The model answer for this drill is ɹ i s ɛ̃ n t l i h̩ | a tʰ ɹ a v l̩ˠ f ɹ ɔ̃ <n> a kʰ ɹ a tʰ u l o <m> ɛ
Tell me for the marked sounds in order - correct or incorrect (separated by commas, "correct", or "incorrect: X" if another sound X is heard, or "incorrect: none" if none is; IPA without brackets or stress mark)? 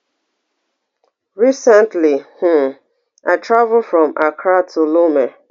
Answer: incorrect: m, correct